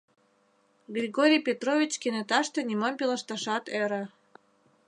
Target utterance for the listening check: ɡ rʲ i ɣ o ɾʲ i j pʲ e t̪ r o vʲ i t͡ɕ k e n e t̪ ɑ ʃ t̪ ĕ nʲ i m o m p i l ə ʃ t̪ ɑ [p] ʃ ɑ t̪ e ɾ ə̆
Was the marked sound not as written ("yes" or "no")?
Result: yes